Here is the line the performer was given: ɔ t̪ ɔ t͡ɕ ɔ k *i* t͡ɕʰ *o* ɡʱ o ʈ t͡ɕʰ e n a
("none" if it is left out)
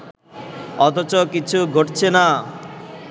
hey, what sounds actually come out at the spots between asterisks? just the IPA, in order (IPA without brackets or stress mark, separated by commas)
i, u